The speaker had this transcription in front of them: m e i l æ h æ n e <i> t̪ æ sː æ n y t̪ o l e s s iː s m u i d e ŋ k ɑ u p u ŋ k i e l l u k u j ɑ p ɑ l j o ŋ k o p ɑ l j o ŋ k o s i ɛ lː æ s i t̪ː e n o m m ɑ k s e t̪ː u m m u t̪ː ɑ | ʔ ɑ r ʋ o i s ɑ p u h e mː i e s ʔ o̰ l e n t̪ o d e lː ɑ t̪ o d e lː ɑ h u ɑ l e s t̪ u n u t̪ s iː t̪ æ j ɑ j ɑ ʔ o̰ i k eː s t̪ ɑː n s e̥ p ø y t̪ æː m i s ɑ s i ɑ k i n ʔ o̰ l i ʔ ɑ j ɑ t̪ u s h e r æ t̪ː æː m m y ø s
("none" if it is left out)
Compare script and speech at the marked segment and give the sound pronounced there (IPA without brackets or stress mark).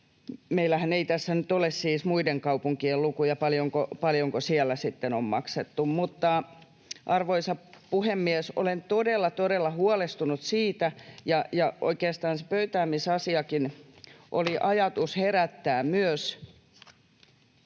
i